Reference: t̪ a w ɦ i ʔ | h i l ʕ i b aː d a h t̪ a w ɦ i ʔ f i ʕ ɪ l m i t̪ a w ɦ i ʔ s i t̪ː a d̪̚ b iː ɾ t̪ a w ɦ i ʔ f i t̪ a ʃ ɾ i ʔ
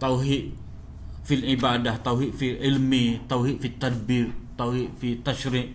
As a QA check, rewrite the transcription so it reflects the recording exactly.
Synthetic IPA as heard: t̪ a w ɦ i ʔ | f i l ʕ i b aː d a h t̪ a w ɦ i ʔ f i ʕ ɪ l m i t̪ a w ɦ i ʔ f i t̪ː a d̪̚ b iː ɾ t̪ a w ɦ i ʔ f i t̪ a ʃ ɾ i ʔ